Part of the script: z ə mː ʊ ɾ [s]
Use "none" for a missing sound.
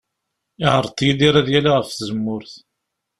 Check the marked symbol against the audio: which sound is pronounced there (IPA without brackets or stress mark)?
θ